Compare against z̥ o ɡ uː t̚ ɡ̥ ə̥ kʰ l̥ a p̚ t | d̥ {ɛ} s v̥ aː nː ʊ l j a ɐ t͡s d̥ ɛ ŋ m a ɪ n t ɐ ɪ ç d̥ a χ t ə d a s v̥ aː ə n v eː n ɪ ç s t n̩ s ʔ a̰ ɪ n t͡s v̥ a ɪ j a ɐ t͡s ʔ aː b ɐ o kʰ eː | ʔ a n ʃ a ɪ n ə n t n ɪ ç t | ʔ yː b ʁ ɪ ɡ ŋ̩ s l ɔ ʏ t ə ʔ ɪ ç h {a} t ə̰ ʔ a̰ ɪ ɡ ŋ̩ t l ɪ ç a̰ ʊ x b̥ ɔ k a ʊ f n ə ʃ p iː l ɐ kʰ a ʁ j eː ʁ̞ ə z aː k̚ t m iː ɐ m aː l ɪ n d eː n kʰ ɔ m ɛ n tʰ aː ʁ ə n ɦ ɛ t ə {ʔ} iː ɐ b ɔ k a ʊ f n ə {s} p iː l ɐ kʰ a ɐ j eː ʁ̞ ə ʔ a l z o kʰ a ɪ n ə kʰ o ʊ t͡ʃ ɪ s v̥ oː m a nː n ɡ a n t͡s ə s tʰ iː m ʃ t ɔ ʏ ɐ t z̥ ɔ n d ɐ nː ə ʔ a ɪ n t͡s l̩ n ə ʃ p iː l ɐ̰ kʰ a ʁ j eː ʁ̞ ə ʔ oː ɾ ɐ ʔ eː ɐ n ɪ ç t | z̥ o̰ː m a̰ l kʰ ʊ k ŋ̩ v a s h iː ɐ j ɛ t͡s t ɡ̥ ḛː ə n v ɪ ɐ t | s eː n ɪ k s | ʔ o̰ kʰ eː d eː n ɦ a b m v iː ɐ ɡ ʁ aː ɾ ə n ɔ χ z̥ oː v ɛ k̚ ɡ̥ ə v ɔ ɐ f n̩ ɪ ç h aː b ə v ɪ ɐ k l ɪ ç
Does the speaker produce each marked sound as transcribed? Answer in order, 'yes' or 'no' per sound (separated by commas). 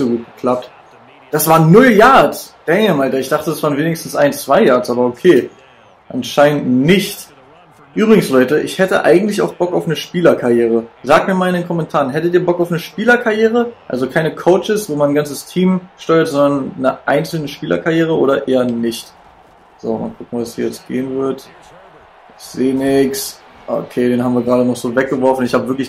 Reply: no, no, no, no